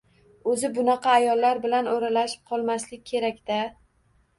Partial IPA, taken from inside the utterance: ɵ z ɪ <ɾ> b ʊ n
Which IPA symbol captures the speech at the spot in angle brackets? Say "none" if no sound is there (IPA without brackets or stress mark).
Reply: none